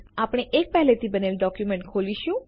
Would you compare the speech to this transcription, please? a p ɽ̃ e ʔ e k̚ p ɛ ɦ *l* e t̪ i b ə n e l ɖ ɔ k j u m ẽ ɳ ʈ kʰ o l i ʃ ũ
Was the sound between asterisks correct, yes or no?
yes